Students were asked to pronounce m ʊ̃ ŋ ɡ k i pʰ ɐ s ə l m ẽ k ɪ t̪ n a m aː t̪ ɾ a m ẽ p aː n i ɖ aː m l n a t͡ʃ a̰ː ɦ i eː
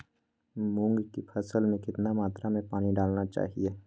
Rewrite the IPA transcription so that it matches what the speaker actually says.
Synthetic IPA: m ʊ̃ ŋ ɡ k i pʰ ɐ s ə l m ẽ k ɪ t̪ n a m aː t̪ ɾ a m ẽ p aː n i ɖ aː l n a t͡ʃ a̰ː ɦ i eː